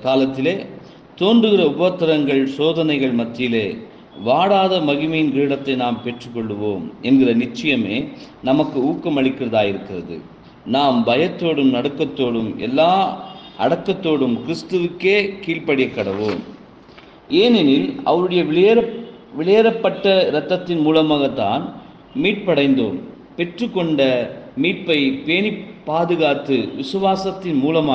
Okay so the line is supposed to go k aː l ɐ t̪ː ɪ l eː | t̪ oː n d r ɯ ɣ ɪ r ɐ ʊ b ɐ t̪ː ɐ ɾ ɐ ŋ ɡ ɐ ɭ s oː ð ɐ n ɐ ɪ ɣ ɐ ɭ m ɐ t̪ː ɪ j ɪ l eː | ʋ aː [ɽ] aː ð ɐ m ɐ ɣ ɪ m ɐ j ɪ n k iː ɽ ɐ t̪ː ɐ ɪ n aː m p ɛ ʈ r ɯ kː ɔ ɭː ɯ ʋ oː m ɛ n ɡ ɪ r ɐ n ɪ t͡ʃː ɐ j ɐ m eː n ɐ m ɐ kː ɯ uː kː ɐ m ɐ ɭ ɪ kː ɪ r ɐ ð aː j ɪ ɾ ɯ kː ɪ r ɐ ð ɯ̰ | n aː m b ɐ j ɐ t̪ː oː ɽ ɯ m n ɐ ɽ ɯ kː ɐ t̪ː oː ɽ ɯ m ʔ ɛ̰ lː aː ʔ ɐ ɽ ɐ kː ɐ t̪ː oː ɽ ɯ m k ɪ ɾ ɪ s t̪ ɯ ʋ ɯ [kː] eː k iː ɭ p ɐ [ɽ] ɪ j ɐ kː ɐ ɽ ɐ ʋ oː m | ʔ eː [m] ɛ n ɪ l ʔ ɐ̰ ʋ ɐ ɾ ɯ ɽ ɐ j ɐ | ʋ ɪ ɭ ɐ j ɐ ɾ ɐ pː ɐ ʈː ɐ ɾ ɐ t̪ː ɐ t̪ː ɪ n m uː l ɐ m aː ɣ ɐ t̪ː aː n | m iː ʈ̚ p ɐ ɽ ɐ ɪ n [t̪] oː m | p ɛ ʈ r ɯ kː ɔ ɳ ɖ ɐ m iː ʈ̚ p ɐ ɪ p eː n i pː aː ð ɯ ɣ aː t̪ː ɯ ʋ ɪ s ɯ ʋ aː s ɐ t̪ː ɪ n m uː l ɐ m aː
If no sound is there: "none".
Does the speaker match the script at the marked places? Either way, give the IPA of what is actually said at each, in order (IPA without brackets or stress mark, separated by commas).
ɽ, kː, ɽ, n, d̪